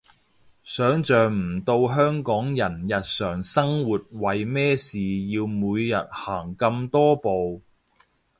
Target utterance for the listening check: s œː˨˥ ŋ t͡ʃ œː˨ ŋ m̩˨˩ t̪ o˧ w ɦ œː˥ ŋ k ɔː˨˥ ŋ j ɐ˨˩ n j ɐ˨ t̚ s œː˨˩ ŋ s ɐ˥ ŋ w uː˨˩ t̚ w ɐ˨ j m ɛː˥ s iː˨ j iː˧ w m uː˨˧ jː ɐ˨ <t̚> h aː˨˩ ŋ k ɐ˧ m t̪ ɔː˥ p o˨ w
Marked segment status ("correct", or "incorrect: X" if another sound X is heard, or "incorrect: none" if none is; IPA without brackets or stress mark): correct